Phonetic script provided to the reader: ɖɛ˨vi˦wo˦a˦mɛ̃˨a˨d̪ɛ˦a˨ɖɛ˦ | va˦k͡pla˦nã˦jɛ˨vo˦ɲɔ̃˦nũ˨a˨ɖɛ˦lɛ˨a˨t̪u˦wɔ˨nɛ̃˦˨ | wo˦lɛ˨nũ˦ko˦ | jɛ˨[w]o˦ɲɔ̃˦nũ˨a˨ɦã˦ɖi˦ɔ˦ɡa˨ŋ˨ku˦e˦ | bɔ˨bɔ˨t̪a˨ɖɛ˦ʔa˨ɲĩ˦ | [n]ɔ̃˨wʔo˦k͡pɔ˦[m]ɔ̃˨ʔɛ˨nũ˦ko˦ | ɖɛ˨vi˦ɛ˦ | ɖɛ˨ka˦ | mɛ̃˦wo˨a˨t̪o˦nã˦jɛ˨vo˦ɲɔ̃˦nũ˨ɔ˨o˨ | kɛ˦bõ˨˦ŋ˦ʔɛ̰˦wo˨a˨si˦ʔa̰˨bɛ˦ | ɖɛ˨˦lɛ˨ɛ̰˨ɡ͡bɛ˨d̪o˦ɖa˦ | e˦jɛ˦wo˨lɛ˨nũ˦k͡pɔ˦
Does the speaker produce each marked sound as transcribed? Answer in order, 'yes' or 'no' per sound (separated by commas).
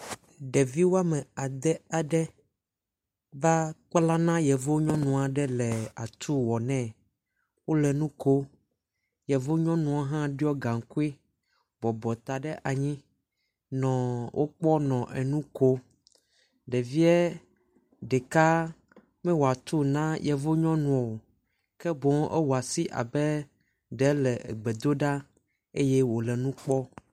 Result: no, yes, no